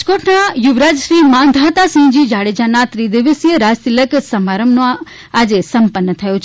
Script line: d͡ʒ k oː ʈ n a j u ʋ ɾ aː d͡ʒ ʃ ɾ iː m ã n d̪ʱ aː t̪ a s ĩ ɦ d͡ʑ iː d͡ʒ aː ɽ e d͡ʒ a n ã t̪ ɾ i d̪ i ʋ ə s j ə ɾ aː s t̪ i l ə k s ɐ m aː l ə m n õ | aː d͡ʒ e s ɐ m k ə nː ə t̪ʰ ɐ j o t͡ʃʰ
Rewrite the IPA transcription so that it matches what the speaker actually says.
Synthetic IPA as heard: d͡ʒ k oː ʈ n a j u ʋ ɾ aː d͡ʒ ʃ ɾ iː m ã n d̪ʱ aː t̪ a s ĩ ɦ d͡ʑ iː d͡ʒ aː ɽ e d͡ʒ a n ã t̪ ɾ i d̪ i ʋ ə s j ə ɾ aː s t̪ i l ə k s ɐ m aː ɾ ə m n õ | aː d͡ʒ e s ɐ m p ə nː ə t̪ʰ ɐ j o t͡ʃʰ